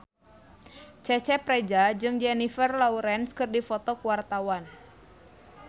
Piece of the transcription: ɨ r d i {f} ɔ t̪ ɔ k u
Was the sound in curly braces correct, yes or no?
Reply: yes